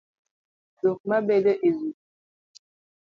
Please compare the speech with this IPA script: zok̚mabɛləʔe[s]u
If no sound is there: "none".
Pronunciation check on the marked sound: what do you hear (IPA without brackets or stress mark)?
z